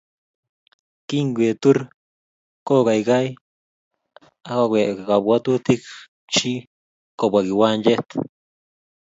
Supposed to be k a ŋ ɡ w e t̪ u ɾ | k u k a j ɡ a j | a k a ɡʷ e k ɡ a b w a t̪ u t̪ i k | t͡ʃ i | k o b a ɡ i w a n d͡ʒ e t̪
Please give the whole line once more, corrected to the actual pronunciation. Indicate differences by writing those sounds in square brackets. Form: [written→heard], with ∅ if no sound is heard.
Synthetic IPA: k [a→i] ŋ ɡ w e t̪ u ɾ | k [u→o] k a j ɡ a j | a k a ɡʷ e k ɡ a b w a t̪ u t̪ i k | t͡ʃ i | k o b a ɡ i w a n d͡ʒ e t̪